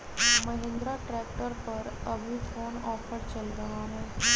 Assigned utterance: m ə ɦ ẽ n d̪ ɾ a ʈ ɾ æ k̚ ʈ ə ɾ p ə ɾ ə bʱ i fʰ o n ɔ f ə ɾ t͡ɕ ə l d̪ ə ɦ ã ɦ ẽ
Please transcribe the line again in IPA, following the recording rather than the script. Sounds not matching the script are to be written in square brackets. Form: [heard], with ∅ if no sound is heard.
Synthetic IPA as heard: m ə ɦ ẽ n d̪ ɾ a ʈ ɾ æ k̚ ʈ ə ɾ p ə ɾ ə bʱ i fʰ o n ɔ f ə ɾ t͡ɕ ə l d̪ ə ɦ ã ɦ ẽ